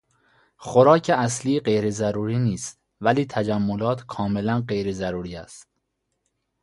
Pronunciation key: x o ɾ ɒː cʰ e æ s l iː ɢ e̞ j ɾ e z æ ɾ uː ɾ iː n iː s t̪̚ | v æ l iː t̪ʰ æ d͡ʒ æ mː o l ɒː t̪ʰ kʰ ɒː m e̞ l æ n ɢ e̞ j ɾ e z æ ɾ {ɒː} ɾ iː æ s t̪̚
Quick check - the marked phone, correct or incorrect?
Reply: incorrect